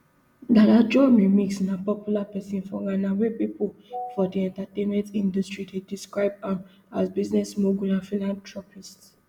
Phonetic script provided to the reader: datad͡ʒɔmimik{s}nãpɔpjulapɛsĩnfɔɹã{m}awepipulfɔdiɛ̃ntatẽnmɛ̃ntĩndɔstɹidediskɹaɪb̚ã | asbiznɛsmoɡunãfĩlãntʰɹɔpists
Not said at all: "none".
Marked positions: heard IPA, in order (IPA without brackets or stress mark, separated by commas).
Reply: s, n